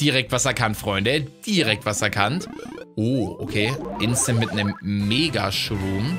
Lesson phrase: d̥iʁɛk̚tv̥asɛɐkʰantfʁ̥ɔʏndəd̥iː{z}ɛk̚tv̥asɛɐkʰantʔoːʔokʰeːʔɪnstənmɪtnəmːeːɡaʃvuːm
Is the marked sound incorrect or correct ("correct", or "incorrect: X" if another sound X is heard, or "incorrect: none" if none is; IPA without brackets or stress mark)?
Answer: incorrect: ʁ